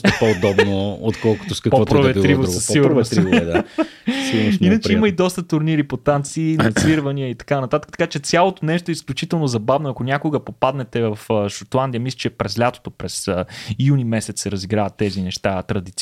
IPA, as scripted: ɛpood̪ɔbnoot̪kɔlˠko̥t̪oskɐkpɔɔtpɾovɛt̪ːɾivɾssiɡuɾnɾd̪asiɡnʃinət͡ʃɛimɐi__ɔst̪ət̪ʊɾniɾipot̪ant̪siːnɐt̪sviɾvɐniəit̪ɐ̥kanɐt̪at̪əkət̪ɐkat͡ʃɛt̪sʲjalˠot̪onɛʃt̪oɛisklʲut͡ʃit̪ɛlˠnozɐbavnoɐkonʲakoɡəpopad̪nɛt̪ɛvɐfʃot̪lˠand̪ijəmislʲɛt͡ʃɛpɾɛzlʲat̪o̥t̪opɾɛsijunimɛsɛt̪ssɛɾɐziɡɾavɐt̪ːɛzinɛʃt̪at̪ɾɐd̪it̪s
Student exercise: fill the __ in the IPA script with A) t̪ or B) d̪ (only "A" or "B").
B